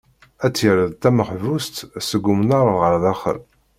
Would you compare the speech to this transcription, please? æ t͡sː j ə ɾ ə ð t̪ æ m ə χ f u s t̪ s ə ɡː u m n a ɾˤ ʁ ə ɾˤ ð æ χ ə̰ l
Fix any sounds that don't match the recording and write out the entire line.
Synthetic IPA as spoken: æ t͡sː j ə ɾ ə ð t̪ æ m ə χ v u s t̪ s ə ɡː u m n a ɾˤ ʁ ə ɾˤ ð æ χ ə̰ l